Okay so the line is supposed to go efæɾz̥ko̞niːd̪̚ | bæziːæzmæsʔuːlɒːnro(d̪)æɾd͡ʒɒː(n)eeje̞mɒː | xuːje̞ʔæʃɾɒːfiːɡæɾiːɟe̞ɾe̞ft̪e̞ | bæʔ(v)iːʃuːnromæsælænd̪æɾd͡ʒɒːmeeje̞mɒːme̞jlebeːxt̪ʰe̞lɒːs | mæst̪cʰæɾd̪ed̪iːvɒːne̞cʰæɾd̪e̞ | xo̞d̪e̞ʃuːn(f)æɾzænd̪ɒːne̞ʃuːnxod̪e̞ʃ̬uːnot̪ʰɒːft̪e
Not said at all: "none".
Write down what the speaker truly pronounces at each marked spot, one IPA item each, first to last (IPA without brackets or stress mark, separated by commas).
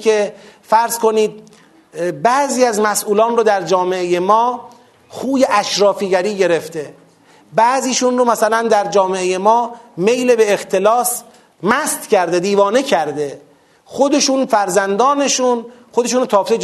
d̪, m, z, f